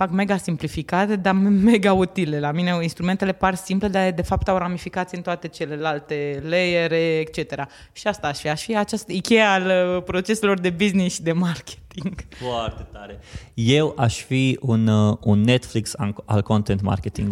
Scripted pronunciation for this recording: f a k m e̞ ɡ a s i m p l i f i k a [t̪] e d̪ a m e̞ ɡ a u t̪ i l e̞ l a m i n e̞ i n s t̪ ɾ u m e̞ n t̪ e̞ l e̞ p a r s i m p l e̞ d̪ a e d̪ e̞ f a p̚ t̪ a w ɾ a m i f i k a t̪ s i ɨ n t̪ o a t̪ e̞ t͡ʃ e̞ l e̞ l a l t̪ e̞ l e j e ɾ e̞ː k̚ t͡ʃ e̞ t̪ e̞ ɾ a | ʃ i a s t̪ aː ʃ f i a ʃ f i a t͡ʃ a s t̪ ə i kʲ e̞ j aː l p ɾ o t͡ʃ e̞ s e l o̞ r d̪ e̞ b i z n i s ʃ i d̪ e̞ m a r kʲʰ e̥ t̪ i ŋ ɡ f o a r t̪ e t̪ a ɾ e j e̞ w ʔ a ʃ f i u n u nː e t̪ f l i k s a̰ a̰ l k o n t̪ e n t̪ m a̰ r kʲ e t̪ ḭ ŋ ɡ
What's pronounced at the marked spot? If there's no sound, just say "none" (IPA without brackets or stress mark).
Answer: t̪